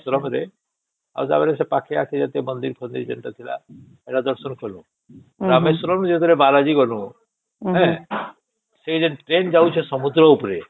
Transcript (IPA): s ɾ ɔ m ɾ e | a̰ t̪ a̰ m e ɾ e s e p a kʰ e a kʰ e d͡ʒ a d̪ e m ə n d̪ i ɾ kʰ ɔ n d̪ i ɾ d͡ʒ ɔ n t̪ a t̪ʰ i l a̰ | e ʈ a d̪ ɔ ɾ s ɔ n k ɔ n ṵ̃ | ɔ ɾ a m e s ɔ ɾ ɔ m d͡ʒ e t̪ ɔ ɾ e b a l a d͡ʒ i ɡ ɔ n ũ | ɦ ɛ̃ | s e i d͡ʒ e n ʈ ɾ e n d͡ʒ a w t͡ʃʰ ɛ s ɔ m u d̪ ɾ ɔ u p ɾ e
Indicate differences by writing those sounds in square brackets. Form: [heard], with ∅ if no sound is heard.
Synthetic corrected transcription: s ɾ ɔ m ɾ e | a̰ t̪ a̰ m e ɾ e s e p a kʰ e a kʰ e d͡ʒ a [t̪] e m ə n d̪ i ɾ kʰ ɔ n d̪ i ɾ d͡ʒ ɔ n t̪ a t̪ʰ i l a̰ | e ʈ a d̪ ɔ ɾ s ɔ n k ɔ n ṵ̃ | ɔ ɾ a m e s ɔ ɾ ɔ m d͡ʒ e t̪ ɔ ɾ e b a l a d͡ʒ i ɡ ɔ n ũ | ɦ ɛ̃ | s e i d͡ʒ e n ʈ ɾ e n d͡ʒ a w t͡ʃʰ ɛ s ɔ m u d̪ ɾ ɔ u p ɾ e